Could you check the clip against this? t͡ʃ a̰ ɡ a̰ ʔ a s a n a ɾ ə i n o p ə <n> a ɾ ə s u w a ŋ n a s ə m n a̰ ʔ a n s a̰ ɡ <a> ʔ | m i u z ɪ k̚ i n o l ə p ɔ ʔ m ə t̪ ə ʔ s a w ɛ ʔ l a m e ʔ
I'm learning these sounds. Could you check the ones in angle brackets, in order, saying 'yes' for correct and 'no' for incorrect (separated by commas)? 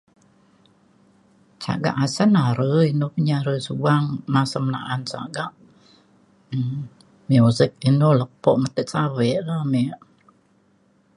no, yes